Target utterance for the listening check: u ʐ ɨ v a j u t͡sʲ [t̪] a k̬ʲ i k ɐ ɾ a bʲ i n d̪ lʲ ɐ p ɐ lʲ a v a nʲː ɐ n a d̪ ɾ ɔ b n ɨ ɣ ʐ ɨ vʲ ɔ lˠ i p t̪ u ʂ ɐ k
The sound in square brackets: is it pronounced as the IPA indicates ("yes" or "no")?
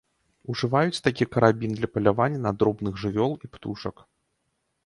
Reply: yes